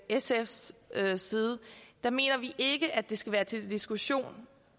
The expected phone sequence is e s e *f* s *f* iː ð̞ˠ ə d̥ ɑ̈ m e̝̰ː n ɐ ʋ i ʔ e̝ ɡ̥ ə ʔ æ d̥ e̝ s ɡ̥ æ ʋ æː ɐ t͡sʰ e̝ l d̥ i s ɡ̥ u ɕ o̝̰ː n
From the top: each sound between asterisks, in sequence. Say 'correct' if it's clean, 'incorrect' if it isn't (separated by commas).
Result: correct, incorrect